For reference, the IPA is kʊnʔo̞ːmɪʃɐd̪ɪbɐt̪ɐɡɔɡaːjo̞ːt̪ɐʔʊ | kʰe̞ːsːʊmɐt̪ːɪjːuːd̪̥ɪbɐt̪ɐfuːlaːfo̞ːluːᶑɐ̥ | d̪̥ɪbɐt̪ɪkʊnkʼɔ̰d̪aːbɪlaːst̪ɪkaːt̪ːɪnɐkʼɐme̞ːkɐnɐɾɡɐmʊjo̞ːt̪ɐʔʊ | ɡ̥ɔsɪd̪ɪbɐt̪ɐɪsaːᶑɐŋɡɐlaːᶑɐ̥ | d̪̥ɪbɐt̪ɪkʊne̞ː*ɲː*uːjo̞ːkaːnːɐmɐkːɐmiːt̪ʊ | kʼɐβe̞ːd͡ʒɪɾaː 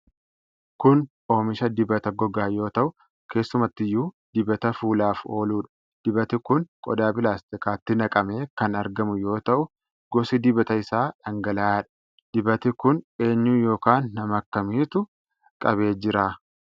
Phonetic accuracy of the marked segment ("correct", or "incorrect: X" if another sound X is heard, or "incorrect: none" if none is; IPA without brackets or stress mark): correct